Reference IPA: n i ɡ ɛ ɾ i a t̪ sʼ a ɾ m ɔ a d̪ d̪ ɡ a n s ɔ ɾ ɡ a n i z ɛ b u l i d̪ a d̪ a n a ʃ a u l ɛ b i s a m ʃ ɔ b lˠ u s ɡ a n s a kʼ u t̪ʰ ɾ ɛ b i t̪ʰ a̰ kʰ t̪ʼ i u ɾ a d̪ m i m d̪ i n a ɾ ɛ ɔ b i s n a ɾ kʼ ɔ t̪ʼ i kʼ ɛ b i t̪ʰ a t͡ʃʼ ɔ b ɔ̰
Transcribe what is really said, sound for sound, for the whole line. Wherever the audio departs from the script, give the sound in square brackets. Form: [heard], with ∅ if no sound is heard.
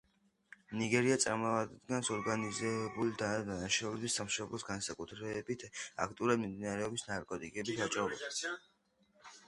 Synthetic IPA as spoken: n i ɡ ɛ ɾ i a t̪ sʼ a ɾ m ɔ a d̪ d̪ ɡ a n s ɔ ɾ ɡ a n i z ɛ b u l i d̪ a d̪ a n a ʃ a u l ɛ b i s a m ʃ ɔ b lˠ [ɔ] s ɡ a n s a kʼ u t̪ʰ ɾ ɛ b i t̪ʰ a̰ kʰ t̪ʼ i u ɾ a d̪ m i m d̪ i n a ɾ ɛ ɔ b i s n a ɾ kʼ ɔ t̪ʼ i kʼ ɛ b i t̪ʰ a t͡ʃʼ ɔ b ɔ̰

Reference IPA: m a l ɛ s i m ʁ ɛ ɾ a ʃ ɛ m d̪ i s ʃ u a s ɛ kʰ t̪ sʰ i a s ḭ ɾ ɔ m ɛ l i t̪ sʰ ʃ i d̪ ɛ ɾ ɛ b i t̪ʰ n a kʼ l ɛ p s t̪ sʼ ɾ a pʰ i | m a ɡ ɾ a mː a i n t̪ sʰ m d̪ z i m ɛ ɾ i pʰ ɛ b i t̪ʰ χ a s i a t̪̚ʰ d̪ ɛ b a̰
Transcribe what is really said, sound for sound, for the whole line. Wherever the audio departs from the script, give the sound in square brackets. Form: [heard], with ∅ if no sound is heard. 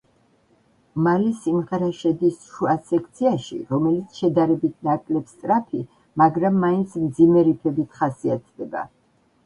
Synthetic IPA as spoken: m a l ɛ s i m ʁ ɛ ɾ a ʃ ɛ [∅] d̪ i s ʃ u a s ɛ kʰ t̪ sʰ i a [ʃ] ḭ ɾ ɔ m ɛ l i t̪ sʰ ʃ [ɛ] d̪ [a] ɾ ɛ b i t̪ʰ n a kʼ l ɛ p s t̪ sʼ ɾ a pʰ i | m a ɡ ɾ a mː a i n t̪ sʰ m d̪ z i m ɛ ɾ i pʰ ɛ b i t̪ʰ χ a s i a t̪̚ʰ d̪ ɛ b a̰

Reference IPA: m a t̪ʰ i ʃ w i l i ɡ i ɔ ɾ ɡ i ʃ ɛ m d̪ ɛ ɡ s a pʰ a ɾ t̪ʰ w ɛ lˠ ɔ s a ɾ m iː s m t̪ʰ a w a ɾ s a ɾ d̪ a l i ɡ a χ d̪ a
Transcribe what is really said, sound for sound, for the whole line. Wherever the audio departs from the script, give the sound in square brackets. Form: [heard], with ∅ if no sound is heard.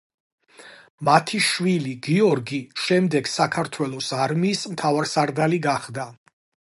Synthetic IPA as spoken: m a t̪ʰ i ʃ w i l i ɡ i ɔ ɾ ɡ i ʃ ɛ m d̪ ɛ ɡ s a [kʰ] a ɾ t̪ʰ w ɛ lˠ ɔ s a ɾ m iː s m t̪ʰ a [v] a ɾ s a ɾ d̪ a l i ɡ a χ d̪ a

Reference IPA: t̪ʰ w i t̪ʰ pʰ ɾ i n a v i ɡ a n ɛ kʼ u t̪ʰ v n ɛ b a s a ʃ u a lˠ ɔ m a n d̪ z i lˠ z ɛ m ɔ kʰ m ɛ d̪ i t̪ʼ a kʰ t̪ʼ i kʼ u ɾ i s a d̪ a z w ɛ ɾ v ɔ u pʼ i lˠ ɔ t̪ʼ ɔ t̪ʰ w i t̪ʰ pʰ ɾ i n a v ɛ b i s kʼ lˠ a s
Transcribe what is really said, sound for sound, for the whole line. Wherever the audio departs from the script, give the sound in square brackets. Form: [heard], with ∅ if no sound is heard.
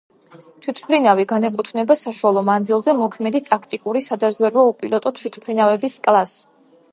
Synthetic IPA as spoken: t̪ʰ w i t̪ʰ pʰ ɾ i n a v i ɡ a n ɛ kʼ u t̪ʰ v n ɛ b a s a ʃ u a lˠ ɔ m a n d̪ z i lˠ z ɛ m ɔ kʰ m ɛ d̪ i t̪ʼ a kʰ t̪ʼ i kʼ u ɾ i s a d̪ a z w ɛ ɾ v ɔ u pʼ i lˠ ɔ t̪ʼ ɔ t̪ʰ w i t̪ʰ pʰ ɾ i n a v ɛ b i s kʼ lˠ a s

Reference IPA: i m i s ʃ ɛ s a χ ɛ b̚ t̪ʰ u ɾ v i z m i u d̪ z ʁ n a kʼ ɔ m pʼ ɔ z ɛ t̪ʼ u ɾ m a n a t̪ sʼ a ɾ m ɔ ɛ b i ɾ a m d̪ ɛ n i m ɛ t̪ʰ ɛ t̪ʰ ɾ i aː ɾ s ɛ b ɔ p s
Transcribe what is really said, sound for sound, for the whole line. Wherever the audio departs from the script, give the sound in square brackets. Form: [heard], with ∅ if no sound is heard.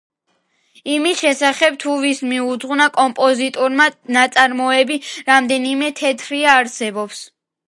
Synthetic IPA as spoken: i m i s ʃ ɛ s a χ ɛ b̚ t̪ʰ u [∅] v i [s] m i u d̪ z ʁ n a kʼ ɔ m pʼ ɔ z [i] t̪ʼ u ɾ m a n a t̪ sʼ a ɾ m ɔ ɛ b i ɾ a m d̪ ɛ n i m ɛ t̪ʰ ɛ t̪ʰ ɾ i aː ɾ s ɛ b ɔ p s

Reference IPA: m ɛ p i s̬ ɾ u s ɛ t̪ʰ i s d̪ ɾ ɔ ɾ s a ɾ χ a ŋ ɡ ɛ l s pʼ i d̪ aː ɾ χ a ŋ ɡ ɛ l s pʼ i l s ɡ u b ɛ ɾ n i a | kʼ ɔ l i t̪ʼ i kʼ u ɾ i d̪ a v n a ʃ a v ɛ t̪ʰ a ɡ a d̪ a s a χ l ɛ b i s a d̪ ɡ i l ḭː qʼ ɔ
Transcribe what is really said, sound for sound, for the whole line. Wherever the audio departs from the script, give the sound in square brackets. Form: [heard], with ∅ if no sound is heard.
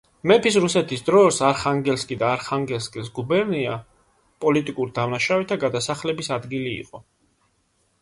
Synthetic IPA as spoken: m ɛ p i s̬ ɾ u s ɛ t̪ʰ i s d̪ ɾ ɔ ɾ s a ɾ χ a ŋ ɡ ɛ l s [kʼ] i d̪ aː ɾ χ a ŋ ɡ ɛ l s [kʼ] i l s ɡ u b ɛ ɾ n i a | [pʼ] ɔ l i t̪ʼ i kʼ u ɾ i d̪ a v n a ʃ a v ɛ t̪ʰ a ɡ a d̪ a s a χ l ɛ b i s a d̪ ɡ i l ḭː qʼ ɔ

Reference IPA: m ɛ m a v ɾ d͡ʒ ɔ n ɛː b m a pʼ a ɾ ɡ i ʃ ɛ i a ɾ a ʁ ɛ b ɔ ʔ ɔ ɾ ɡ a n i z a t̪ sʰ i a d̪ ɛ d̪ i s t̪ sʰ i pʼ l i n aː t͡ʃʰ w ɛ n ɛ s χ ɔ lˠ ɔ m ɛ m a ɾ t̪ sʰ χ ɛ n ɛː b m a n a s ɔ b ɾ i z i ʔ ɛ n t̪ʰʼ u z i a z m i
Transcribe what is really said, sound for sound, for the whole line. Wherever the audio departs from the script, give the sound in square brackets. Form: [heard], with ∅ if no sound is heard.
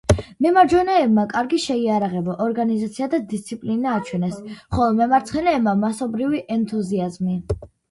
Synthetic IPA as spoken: m ɛ m a [∅] ɾ d͡ʒ ɔ n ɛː b m a [kʼ] a ɾ ɡ i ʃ ɛ i a ɾ a ʁ ɛ b ɔ ʔ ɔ ɾ ɡ a n i z a t̪ sʰ i a d̪ [a] d̪ i s t̪ sʰ i pʼ l i n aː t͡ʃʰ w ɛ n ɛ s χ ɔ lˠ ɔ m ɛ m a ɾ t̪ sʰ χ ɛ n ɛː b m a [m] a s ɔ b ɾ i [v] i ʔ ɛ n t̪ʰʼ u z i a z m i

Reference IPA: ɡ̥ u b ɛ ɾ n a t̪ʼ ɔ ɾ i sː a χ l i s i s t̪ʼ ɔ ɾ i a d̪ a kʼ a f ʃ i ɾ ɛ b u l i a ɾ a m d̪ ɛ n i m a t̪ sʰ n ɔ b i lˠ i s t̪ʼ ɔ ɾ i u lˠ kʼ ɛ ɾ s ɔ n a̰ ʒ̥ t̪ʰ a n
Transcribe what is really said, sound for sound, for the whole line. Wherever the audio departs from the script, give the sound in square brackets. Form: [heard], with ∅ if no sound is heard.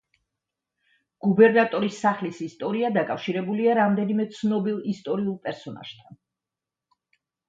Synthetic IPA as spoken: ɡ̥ u b ɛ ɾ n a t̪ʼ ɔ ɾ i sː a χ l i s i s t̪ʼ ɔ ɾ i a d̪ a kʼ a f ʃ i ɾ ɛ b u l i a ɾ a m d̪ ɛ n i m [ɛ] t̪ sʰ n ɔ b i lˠ i s t̪ʼ ɔ ɾ i u lˠ [pʼ] ɛ ɾ s ɔ n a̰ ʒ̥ t̪ʰ a n

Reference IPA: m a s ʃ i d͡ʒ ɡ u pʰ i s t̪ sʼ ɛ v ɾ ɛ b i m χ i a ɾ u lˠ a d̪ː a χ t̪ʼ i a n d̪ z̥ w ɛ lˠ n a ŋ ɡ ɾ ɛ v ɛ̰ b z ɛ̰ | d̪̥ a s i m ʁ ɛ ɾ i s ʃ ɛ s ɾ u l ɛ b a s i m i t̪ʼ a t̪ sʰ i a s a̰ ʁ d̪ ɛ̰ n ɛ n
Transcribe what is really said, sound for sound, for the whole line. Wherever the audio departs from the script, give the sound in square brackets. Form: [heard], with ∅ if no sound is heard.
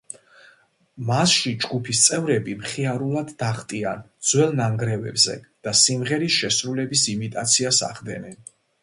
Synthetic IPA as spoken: m a s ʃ i d͡ʒ ɡ u pʰ i s t̪ sʼ ɛ v ɾ ɛ b i m χ i a ɾ u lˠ a d̪ː a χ t̪ʼ i a n d̪ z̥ w ɛ lˠ n a ŋ ɡ ɾ ɛ v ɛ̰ b z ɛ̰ | d̪̥ a s i m ʁ ɛ ɾ i s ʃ ɛ s ɾ u l ɛ b [i] s i m i t̪ʼ a t̪ sʰ i a s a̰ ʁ d̪ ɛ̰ n ɛ n

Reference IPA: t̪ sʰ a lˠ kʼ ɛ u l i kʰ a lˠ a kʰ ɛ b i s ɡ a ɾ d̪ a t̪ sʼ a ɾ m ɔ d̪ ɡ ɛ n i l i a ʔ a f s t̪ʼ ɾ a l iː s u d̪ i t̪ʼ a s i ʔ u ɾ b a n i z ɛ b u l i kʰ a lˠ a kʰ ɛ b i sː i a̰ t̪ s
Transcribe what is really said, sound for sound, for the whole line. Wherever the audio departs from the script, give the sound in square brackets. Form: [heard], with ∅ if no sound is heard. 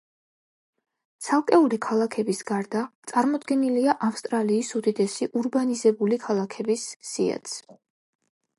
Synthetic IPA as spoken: t̪ sʰ a lˠ kʼ ɛ u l i kʰ a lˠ a kʰ ɛ b i s ɡ a ɾ d̪ a t̪ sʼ a ɾ m ɔ d̪ ɡ ɛ n i l i a ʔ a f s t̪ʼ ɾ a l iː s u d̪ i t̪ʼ [ɛ] s i ʔ u ɾ b a n i z ɛ b u l i kʰ a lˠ a kʰ ɛ b i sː i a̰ t̪ s

